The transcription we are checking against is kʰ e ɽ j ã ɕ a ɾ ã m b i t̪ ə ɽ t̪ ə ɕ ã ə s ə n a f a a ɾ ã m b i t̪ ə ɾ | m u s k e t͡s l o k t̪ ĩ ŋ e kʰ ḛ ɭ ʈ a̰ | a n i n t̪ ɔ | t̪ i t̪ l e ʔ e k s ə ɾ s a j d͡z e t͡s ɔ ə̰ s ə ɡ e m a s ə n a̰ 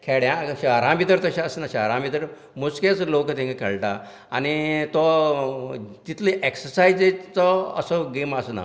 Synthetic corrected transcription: kʰ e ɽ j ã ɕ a ɾ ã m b i t̪ ə ɾ t̪ ə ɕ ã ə s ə n a ɕ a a ɾ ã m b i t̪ ə ɾ | m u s k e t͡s l o k t̪ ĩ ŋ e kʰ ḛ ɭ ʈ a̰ | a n i t̪ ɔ | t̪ i t̪ l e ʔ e k s ə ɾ s a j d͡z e t͡s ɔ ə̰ s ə ɡ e m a s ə n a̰